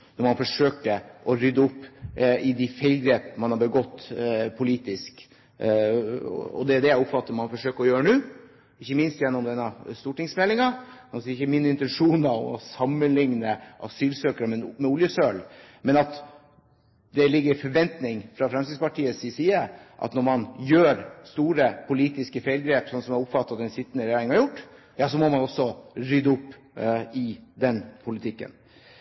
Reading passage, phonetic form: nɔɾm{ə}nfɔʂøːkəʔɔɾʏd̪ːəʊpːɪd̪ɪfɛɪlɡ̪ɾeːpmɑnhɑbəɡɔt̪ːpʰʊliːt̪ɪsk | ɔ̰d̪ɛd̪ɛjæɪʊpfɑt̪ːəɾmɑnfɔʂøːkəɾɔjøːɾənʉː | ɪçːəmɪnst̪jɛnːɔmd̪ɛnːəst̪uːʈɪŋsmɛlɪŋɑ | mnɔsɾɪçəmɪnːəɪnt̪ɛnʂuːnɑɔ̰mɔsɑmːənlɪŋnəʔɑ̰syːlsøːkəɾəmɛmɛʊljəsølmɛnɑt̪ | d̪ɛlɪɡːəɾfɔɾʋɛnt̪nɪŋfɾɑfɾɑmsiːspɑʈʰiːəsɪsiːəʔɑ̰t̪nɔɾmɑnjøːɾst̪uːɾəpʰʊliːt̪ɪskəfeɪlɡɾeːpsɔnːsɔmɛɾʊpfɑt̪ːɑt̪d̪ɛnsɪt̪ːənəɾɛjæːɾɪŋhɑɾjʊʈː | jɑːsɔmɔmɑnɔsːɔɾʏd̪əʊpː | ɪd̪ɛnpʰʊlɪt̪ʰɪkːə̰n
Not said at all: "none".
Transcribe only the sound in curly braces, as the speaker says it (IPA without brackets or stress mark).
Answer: ɑ